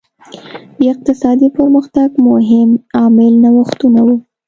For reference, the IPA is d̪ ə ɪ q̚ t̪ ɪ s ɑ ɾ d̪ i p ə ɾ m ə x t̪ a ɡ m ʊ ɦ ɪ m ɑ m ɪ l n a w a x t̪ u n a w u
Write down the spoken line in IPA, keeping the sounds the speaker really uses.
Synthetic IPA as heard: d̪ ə ɪ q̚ t̪ ɪ s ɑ d̪ i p ə ɾ m ə x t̪ a ɡ m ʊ ɦ ɪ m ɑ m ɪ l n a w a x t̪ u n a w u